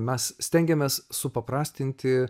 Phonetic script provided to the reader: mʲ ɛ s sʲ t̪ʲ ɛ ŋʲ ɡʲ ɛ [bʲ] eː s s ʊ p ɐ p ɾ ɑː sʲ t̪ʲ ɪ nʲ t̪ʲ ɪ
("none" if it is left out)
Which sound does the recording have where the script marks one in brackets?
mʲ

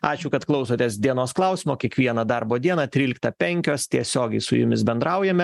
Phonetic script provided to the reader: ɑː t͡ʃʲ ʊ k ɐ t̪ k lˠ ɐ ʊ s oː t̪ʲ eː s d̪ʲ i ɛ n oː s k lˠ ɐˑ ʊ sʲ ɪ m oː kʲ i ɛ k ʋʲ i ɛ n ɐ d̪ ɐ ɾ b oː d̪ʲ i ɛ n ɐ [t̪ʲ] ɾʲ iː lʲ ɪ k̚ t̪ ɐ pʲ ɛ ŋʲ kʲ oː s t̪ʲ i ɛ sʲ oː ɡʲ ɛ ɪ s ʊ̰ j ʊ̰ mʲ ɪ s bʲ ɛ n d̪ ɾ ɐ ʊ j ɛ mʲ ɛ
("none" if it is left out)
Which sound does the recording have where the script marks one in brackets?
t̪ʲ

